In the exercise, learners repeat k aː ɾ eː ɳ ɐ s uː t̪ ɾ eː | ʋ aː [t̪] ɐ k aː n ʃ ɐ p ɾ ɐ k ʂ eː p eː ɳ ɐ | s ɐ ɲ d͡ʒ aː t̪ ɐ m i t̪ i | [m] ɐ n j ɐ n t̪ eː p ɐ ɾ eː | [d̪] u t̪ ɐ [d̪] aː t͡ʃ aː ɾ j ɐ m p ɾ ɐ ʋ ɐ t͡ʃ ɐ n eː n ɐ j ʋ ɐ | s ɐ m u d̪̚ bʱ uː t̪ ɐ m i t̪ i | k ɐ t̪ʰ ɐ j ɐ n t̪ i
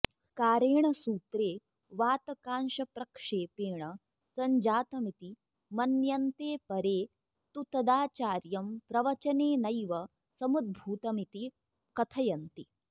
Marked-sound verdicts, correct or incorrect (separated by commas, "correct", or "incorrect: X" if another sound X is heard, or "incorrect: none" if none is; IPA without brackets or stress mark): correct, correct, incorrect: t̪, correct